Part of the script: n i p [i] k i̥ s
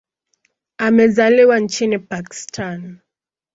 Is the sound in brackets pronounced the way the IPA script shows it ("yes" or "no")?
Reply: no